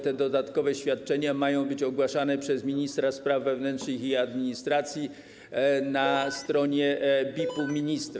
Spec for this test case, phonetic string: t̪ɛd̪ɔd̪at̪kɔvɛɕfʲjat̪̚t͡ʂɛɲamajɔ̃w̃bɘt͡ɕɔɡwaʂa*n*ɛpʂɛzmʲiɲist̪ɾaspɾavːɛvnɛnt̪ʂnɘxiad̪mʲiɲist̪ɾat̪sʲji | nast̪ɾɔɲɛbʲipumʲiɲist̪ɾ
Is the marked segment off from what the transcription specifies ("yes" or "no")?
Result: no